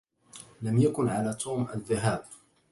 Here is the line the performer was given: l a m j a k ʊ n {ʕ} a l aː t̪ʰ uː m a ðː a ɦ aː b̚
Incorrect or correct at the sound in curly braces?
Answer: correct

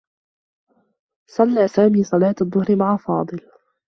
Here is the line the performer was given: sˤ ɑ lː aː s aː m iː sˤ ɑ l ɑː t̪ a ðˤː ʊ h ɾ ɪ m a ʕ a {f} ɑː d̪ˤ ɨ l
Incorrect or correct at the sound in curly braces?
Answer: correct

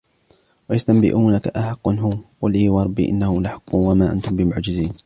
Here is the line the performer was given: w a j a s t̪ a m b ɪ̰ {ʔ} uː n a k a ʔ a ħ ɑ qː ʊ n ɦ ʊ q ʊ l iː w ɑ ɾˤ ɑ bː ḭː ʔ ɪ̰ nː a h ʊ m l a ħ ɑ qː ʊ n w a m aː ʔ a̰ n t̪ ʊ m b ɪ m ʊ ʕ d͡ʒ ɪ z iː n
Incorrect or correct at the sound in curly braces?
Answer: correct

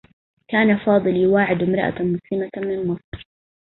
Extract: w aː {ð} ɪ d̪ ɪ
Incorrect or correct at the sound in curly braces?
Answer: incorrect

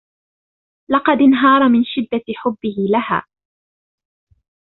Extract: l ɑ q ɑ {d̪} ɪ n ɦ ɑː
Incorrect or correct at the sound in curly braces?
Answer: correct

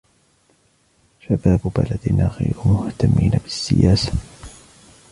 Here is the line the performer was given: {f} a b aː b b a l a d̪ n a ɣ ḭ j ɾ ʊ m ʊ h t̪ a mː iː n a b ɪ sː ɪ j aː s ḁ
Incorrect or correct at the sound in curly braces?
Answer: incorrect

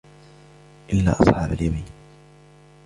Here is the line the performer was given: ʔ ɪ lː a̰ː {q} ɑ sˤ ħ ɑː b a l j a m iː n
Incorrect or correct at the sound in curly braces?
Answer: incorrect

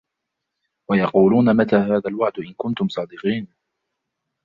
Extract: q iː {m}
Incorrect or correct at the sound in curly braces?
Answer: incorrect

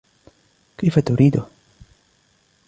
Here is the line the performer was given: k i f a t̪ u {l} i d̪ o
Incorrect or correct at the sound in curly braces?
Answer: incorrect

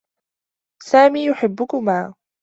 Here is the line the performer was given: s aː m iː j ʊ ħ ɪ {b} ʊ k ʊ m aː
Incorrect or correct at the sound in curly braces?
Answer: incorrect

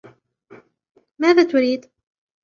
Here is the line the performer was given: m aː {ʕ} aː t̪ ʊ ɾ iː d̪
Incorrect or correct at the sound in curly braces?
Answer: incorrect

